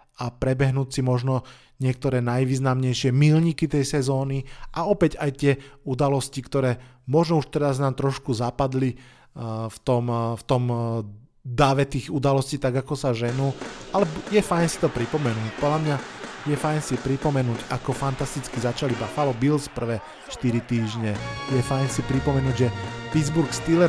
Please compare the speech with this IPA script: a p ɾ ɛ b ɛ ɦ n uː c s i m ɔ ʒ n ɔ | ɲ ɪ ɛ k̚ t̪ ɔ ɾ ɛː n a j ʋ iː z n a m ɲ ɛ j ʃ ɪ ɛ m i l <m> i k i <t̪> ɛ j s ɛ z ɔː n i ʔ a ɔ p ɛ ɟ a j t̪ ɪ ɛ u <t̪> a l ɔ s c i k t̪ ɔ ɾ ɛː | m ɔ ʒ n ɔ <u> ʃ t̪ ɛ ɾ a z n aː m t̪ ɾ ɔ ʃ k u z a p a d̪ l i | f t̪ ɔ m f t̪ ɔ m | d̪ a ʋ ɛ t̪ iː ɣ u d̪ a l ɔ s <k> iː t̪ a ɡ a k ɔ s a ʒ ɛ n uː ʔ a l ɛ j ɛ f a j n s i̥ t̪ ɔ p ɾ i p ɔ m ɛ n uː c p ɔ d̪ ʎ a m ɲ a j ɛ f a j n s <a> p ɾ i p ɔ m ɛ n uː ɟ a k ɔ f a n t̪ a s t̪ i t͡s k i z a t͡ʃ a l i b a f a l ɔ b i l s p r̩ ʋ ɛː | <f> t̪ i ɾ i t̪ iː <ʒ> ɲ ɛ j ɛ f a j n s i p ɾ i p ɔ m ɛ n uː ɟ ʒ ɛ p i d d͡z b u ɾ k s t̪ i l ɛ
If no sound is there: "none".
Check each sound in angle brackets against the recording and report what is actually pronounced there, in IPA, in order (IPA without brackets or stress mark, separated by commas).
ɲ, t̪, d̪, u, c, i, ʃ, ʒ